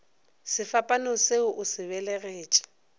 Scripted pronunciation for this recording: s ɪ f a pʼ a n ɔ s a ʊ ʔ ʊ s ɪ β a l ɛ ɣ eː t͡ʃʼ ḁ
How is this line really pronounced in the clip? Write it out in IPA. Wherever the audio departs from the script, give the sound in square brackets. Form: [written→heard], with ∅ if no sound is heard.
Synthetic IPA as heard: s ɪ f a pʼ a n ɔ s [a→e] ʊ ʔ ʊ s ɪ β [a→ɛ] l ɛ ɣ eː t͡ʃʼ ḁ